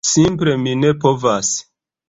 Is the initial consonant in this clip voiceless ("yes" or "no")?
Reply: yes